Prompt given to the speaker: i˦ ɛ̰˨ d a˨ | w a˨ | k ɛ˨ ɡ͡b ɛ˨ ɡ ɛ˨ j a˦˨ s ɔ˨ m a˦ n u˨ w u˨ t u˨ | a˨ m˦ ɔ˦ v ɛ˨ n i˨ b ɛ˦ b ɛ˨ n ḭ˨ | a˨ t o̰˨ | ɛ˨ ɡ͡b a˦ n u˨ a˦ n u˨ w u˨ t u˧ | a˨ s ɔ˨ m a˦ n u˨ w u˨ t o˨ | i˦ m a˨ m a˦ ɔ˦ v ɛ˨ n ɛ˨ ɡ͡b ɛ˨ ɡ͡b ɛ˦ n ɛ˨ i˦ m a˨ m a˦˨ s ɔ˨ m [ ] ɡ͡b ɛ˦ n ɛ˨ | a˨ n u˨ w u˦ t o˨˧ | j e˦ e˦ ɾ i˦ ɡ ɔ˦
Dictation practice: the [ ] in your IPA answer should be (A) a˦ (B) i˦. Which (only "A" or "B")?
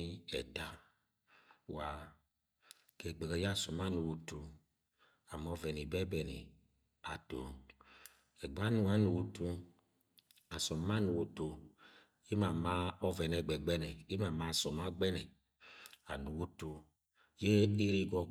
A